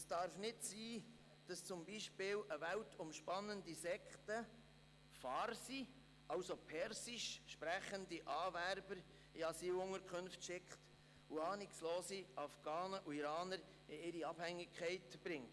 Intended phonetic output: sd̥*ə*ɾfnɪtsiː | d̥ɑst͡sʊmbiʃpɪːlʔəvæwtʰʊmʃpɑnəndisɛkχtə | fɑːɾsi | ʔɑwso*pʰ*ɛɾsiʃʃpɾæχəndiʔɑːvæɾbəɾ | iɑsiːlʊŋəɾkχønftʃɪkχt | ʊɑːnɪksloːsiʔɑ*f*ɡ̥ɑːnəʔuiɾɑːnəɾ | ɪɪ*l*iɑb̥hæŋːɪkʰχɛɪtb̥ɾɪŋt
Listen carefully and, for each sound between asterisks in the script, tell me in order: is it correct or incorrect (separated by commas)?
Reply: incorrect, correct, correct, incorrect